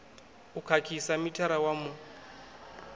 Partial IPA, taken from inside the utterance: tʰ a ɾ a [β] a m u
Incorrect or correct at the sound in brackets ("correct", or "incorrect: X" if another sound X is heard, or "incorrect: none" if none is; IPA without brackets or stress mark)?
incorrect: w